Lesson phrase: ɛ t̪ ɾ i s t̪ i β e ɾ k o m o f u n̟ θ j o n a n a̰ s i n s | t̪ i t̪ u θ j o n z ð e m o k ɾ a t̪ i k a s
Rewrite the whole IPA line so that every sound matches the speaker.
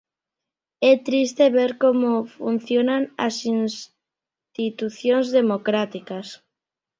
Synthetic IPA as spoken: ɛ t̪ ɾ i s t̪ e β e ɾ k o m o f u n̟ θ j o n a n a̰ s i n s | t̪ i t̪ u θ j o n z ð e m o k ɾ a t̪ i k a s

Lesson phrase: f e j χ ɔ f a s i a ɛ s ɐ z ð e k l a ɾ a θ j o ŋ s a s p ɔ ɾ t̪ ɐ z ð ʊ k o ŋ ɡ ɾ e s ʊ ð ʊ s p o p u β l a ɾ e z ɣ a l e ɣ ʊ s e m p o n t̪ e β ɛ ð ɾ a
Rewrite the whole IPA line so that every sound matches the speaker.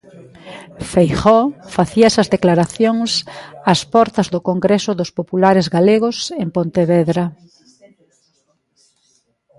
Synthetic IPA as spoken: f e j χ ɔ f a θ i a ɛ s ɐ z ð e k l a ɾ a θ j o ŋ s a s p ɔ ɾ t̪ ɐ z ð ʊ k o ŋ ɡ ɾ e s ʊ ð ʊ s p o p u l a ɾ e z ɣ a l e ɣ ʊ s e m p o n t̪ e β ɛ ð ɾ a

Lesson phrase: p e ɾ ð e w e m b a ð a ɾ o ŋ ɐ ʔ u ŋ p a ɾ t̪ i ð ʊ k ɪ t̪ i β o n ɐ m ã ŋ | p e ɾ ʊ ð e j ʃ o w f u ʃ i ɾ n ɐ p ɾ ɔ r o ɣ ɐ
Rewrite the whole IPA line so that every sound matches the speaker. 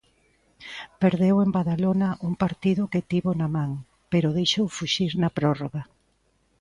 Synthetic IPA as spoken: p e ɾ ð e w e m b a ð a l o n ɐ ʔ u ŋ p a ɾ t̪ i ð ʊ k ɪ t̪ i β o n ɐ m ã ŋ | p e ɾ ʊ ð e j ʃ o w f u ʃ i ɾ n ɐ p ɾ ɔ r o ɣ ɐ

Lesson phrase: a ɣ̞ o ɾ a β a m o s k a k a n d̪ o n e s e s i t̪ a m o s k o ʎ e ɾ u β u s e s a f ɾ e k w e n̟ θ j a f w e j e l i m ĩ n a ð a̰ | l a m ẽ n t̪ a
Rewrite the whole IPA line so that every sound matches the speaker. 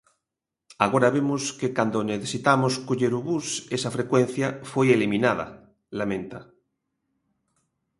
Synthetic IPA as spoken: a ɣ̞ o ɾ a β e m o s k e k a n d̪ o n e θ e s i t̪ a m o s k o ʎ e ɾ u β u s e s a f ɾ e k w e n̟ θ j a f w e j e l i m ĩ n a ð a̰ | l a m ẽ n t̪ a

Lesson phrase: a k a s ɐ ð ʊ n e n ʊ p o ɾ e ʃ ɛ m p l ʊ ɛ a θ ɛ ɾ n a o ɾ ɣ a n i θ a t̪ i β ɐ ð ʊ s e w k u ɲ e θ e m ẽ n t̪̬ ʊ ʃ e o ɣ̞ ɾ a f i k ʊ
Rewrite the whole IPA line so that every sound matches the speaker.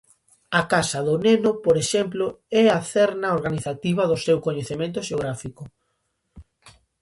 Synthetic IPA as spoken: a k a s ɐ ð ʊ n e n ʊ p o ɾ e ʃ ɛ m p l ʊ ɛ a θ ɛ ɾ n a o ɾ ɣ a n i θ a t̪ i β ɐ ð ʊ s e w k o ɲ e θ e m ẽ n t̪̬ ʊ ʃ e o ɣ̞ ɾ a f i k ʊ

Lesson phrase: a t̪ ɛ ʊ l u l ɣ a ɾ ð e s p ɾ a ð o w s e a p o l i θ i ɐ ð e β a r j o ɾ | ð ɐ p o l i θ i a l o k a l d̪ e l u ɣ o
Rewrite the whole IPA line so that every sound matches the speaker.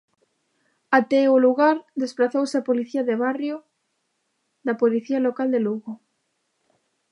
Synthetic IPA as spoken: a t̪ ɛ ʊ l u ɣ a ɾ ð e s p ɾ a θ o w s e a p o l i θ i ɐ ð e β a r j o | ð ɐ p o l i θ i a l o k a l d̪ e l u ɣ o

